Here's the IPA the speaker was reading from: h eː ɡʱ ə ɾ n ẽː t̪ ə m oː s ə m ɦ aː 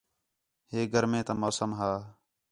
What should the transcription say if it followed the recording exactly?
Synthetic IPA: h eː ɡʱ ə ɾ m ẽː t̪ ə m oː s ə m ɦ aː